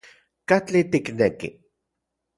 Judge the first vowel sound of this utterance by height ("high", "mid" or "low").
low